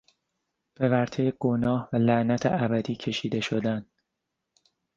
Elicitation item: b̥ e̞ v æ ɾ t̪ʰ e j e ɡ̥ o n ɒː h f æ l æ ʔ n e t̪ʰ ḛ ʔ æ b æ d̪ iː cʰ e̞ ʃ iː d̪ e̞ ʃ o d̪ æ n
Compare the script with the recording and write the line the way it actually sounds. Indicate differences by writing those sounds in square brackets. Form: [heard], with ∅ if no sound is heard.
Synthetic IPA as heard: b̥ e̞ v æ ɾ t̪ʰ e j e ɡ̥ o n ɒː h [v] æ l æ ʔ n [æ] t̪ʰ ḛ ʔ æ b æ d̪ iː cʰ e̞ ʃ iː d̪ e̞ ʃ o d̪ æ n